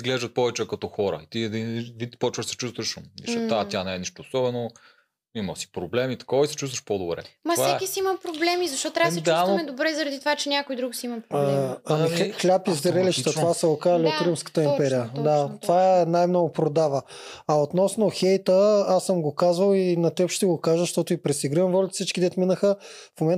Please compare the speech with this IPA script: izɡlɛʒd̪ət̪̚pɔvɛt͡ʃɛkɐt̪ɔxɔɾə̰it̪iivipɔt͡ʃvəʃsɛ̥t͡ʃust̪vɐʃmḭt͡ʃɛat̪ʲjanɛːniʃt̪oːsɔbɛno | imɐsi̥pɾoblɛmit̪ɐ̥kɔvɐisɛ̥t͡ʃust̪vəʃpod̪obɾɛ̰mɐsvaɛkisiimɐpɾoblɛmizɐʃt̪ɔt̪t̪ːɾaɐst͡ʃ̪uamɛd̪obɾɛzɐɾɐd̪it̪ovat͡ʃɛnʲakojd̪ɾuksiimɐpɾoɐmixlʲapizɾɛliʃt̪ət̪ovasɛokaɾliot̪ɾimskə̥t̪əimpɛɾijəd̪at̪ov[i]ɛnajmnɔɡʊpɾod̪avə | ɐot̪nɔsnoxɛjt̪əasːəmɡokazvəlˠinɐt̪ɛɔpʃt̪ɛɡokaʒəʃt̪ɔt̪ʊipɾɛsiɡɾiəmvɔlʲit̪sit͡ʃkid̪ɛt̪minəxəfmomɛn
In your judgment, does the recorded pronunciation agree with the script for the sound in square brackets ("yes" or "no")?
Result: no